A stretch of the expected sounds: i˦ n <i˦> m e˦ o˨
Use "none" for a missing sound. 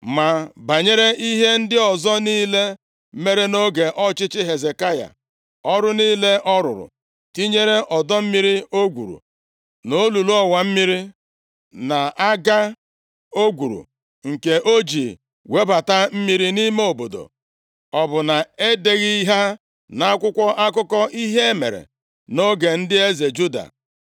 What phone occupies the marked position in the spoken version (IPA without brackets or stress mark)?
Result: i˦